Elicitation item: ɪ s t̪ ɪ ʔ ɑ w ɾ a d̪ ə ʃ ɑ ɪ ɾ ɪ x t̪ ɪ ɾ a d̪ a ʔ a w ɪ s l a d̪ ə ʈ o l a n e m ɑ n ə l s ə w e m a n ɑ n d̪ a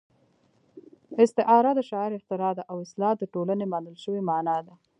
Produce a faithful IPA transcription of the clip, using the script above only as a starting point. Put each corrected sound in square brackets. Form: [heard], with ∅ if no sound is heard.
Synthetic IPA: ɪ s t̪ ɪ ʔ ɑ [∅] ɾ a d̪ ə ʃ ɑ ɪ ɾ ɪ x t̪ ɪ ɾ [ɑ] d̪ a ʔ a w ɪ s l [ɑ] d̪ ə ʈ o l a n e m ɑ n ə l [ʃ] ə w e m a n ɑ [∅] d̪ a